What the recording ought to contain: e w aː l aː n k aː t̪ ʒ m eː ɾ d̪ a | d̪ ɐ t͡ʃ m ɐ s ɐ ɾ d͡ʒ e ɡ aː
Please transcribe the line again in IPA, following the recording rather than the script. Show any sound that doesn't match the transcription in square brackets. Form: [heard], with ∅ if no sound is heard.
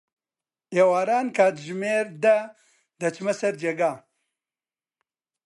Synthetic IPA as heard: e w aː [ɾ] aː n k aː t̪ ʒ m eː ɾ d̪ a | d̪ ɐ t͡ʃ m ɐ s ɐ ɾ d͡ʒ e ɡ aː